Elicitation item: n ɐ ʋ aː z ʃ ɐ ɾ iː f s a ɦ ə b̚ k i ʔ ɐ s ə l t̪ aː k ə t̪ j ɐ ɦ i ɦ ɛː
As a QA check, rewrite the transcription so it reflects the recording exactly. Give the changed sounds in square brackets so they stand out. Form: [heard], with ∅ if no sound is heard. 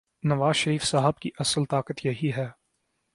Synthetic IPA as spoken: n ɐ ʋ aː z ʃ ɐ ɾ iː f s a ɦ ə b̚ k i ʔ ɐ s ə l t̪ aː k ə t̪ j ɐ ɦ i ɦ ɛː